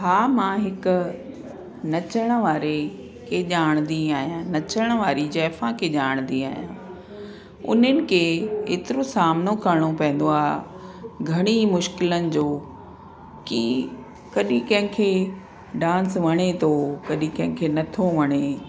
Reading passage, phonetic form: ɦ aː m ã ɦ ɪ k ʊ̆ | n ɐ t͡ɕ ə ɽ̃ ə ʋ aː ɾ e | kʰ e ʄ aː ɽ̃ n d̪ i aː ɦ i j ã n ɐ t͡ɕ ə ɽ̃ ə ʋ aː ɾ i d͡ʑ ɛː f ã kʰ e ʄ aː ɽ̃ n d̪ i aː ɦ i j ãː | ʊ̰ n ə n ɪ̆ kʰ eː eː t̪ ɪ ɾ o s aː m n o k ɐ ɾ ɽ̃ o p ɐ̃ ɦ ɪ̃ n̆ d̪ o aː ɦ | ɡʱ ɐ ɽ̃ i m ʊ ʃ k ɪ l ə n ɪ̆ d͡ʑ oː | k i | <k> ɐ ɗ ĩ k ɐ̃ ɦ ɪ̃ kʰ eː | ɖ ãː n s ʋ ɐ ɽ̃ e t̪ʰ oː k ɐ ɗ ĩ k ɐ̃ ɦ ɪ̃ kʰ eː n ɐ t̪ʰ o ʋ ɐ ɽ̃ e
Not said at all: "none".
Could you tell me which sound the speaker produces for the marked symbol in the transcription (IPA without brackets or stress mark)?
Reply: k